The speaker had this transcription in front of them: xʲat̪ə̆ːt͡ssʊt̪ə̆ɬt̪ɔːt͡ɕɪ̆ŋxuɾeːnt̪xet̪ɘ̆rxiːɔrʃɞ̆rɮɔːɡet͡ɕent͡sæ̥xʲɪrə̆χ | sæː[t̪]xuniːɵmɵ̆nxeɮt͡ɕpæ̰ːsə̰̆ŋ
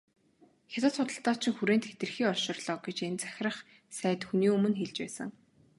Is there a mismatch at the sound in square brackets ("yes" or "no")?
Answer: no